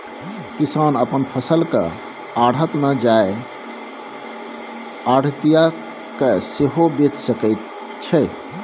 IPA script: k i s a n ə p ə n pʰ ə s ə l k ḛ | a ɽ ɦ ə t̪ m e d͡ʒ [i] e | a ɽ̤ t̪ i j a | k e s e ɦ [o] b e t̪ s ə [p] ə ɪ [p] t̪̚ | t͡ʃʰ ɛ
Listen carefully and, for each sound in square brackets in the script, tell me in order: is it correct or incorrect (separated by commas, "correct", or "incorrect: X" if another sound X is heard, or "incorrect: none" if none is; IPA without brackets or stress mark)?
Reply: incorrect: a, correct, incorrect: k, incorrect: none